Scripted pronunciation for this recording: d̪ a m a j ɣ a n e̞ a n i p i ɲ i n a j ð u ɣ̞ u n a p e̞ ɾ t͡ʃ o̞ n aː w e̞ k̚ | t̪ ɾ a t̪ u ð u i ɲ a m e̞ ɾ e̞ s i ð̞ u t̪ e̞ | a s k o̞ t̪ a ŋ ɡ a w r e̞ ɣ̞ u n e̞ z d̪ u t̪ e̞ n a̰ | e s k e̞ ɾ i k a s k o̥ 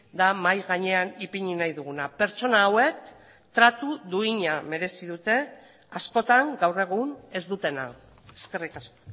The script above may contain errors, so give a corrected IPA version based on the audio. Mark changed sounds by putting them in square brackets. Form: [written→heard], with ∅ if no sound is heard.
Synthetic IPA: d̪ a m a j ɣ a [n→ɲ] e̞ a n i p i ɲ i n a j ð u ɣ̞ u n a p e̞ ɾ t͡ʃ o̞ n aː w e̞ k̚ | t̪ ɾ a t̪ u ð u i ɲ a m e̞ ɾ e̞ s i ð̞ u t̪ e̞ | a s k o̞ t̪ a ŋ ɡ a w r e̞ ɣ̞ u n e̞ z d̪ u t̪ e̞ n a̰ | e s k e̞ [ɾ→r] i k a s k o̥